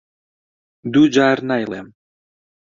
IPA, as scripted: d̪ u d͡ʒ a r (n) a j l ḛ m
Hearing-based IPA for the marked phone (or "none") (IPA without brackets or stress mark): n